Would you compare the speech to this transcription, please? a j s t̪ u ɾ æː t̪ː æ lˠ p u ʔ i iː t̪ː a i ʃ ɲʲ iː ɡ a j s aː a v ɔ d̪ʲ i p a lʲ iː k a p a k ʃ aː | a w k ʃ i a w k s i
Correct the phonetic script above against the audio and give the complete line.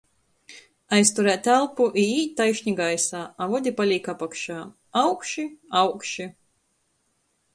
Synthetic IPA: a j s t̪ u ɾ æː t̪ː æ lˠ p u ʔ i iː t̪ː a j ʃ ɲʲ i ɡ a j s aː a v ɔ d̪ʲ i p a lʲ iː k a p a k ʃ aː | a w k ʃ i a w k ʃ i